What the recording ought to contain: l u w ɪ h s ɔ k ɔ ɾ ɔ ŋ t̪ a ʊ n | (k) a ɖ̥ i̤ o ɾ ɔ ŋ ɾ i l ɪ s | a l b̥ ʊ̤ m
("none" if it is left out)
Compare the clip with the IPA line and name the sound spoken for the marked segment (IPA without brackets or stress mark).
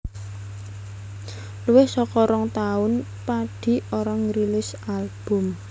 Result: p